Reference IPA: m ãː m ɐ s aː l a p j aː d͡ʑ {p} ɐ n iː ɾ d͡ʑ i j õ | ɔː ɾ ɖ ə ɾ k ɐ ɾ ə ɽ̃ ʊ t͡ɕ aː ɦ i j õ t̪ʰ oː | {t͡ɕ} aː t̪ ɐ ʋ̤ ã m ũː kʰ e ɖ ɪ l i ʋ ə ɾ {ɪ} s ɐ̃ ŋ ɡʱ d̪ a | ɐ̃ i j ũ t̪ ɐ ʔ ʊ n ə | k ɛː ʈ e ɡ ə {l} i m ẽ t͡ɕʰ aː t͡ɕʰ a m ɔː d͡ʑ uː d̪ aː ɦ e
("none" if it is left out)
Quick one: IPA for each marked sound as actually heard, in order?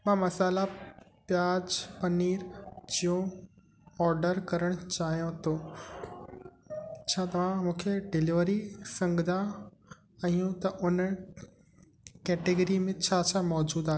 p, t͡ɕʰ, i, ɾ

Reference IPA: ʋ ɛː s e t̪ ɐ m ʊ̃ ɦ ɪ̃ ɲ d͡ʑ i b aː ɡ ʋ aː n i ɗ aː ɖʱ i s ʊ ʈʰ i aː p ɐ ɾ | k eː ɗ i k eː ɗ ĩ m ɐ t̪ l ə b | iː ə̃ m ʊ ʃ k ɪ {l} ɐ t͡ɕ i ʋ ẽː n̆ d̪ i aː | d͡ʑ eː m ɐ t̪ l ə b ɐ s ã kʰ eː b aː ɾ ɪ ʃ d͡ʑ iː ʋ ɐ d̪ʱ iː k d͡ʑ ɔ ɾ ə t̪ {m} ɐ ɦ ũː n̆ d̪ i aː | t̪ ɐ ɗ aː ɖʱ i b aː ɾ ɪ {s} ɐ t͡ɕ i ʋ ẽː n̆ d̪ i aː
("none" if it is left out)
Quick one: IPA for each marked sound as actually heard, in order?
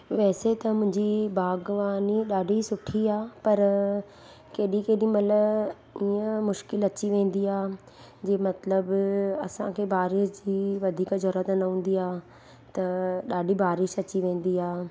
l, n, ʃ

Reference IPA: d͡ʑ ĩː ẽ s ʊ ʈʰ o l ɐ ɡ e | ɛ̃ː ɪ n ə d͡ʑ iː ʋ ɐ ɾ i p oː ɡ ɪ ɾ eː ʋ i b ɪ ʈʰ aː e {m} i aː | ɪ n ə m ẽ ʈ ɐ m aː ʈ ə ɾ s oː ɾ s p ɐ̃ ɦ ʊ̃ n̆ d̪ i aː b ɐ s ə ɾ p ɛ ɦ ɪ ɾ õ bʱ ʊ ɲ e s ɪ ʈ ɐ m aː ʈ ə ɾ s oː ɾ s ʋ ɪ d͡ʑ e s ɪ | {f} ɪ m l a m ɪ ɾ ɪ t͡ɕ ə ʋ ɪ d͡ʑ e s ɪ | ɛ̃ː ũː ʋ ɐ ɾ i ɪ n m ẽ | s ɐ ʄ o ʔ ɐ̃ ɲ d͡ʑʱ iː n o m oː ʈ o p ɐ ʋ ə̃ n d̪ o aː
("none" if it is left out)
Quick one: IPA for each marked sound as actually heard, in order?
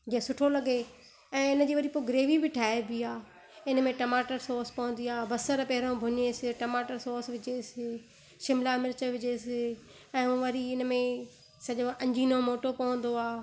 b, ʃ

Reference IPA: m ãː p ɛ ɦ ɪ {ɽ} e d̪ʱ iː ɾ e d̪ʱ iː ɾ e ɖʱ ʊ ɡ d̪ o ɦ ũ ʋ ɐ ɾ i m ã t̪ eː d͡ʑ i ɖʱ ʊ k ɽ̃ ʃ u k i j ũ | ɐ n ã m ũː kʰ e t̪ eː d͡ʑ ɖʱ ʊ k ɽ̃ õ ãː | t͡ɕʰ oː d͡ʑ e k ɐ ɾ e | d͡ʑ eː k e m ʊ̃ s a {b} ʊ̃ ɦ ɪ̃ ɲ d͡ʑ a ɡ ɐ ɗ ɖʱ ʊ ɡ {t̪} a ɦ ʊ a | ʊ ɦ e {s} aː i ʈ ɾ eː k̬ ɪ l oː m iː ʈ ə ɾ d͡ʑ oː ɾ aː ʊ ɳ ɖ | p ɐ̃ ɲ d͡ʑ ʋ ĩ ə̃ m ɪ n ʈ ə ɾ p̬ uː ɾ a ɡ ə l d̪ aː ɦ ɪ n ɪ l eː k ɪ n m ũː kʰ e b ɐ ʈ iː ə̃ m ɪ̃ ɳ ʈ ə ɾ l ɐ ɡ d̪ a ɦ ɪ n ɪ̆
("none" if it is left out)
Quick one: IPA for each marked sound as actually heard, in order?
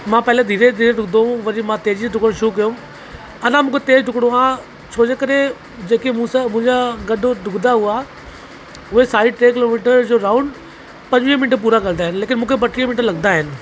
l, m, d̪, s

